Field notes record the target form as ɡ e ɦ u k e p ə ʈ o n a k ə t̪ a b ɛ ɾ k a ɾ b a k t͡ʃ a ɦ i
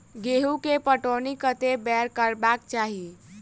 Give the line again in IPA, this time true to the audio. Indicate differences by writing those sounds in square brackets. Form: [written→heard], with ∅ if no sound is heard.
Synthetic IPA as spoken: ɡ e ɦ u k e p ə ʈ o n [a→i] k ə t̪ [a→e] b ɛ ɾ k [a→ə] ɾ b a k t͡ʃ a ɦ i